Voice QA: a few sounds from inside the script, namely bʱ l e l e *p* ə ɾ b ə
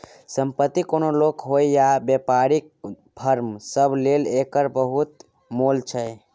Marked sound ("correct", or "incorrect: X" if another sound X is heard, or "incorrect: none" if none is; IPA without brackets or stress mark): incorrect: k